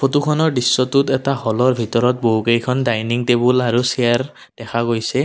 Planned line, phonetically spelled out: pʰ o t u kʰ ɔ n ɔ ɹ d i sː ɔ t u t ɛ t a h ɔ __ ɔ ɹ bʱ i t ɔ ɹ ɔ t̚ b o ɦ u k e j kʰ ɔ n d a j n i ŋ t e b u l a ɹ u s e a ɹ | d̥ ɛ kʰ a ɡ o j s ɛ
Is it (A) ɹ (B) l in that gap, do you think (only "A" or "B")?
B